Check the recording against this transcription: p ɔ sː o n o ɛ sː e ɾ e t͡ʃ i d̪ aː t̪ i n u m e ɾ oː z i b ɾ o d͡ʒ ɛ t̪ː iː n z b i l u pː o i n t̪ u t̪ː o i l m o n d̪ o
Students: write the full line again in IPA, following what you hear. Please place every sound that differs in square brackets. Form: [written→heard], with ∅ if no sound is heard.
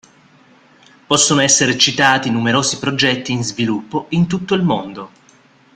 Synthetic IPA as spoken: p ɔ sː o n o ɛ sː e ɾ e t͡ʃ i [d̪→t̪] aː t̪ i n u m e ɾ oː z i [b→p] ɾ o d͡ʒ ɛ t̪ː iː n z [b→v] i l u pː o i n t̪ u t̪ː o i l m o n d̪ o